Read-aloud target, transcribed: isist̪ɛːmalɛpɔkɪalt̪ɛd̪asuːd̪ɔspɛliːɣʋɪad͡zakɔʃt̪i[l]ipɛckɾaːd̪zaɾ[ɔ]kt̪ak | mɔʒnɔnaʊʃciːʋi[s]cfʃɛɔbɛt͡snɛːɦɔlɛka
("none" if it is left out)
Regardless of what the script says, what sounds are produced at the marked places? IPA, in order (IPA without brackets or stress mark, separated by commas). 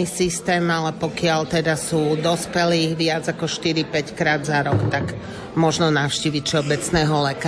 ɾ, ɔ, none